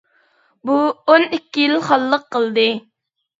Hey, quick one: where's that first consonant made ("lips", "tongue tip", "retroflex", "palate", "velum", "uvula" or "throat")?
lips